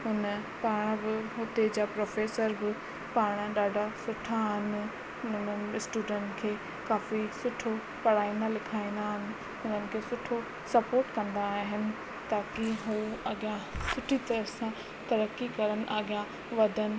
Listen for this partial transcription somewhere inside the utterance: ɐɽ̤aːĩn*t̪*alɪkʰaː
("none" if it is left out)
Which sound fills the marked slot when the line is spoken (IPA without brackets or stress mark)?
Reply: d̪